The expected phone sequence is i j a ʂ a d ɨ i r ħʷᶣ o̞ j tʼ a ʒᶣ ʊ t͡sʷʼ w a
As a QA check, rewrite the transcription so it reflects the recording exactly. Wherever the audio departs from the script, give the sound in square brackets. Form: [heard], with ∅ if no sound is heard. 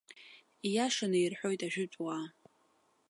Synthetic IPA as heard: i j a ʂ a [n] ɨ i r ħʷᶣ o̞ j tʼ a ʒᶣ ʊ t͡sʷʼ w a